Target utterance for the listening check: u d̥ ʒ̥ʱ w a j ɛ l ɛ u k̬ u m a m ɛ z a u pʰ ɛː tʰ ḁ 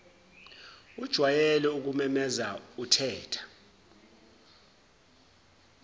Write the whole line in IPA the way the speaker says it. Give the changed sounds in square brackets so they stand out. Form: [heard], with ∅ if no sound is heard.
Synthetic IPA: u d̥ ʒ̥ʱ w a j ɛ l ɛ u k̬ u m [ɛ] m ɛ z a u [tʰ] ɛː tʰ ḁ